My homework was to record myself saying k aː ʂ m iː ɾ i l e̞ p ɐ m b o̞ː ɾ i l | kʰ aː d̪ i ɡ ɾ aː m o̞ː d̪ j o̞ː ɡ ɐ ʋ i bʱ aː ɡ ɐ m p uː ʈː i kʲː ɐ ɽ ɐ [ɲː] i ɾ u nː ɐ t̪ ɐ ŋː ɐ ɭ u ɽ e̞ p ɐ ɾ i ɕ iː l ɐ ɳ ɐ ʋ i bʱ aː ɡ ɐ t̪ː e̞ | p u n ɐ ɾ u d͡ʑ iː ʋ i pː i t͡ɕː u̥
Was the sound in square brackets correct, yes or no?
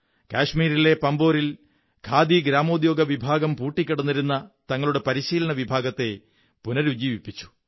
no